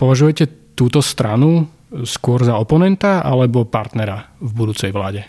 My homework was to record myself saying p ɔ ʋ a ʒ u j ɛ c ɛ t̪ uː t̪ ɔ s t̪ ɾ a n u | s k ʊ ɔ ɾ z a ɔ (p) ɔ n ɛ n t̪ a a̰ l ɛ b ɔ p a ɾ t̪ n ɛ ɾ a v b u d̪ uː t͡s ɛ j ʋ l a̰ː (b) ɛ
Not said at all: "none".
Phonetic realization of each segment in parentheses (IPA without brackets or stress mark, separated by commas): p, ɟ